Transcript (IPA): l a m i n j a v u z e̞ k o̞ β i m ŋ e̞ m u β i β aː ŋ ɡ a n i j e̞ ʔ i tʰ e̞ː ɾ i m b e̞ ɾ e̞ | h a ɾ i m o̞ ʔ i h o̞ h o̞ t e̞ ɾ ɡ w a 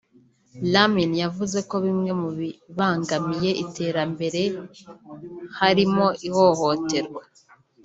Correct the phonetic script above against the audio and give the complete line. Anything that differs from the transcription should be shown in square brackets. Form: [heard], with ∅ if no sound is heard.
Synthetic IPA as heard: l a m i n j a v u z e̞ k o̞ β i m ŋ e̞ m u β i β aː ŋ ɡ a [m] i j e̞ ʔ i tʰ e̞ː ɾ [a] m b e̞ ɾ e̞ | h a ɾ i m o̞ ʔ i h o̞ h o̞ t e̞ ɾ ɡ w a